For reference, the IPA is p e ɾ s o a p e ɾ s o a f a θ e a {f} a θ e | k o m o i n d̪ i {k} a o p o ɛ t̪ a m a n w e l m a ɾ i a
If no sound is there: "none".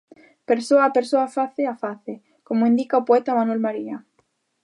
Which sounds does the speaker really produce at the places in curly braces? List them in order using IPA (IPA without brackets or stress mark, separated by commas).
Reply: f, k